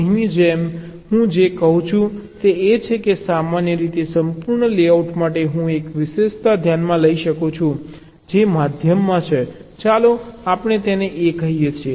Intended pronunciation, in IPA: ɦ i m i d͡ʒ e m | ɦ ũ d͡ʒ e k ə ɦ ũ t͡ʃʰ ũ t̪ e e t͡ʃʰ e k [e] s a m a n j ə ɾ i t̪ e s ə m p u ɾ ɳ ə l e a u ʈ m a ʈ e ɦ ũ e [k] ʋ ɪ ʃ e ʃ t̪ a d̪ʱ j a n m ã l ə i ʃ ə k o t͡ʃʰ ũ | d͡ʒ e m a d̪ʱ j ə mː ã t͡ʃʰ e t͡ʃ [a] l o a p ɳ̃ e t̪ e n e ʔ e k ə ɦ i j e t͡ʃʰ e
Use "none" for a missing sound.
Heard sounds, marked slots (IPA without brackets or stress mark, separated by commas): e, k, a